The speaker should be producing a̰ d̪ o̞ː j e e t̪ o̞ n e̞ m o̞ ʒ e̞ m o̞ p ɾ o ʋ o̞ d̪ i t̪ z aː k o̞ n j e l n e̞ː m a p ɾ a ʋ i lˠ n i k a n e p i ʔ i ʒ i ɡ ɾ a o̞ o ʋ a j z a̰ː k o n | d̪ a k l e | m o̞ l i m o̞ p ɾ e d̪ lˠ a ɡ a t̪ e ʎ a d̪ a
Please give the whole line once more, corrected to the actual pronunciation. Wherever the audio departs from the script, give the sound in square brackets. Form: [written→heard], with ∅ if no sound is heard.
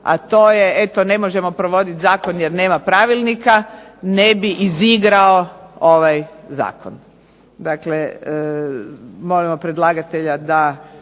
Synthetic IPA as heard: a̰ [d̪→t̪] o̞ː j e e t̪ o̞ n e̞ m o̞ ʒ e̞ m o̞ p ɾ o ʋ o̞ d̪ i t̪ z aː k o̞ n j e [l→ɾ] n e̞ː m a p ɾ a ʋ i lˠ n i k a n e [p→b] i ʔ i [ʒ→z] i ɡ ɾ a o̞ o ʋ a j z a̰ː k o n | d̪ a k l e | m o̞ l i m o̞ p ɾ e d̪ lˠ a ɡ a t̪ e ʎ a d̪ a